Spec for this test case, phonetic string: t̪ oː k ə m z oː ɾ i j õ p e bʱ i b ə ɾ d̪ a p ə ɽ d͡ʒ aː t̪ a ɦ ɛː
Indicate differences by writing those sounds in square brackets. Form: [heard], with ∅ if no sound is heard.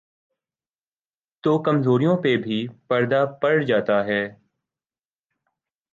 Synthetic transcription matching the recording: t̪ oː k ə m z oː ɾ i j õ p e bʱ i [p] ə ɾ d̪ a p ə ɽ d͡ʒ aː t̪ a ɦ ɛː